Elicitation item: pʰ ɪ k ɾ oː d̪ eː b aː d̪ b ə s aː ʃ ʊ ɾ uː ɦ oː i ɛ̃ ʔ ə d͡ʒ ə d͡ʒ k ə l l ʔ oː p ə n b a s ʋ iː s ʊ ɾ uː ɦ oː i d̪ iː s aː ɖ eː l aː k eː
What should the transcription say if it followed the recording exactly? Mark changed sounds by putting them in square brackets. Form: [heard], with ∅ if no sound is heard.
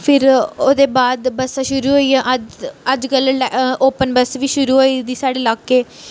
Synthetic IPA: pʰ ɪ [∅] ɾ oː d̪ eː b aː d̪ b ə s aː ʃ ʊ ɾ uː ɦ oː i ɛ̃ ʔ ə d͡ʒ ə d͡ʒ k ə l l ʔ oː p ə n b [ə] s ʋ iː [ʃ] ʊ ɾ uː ɦ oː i d̪ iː s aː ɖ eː l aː k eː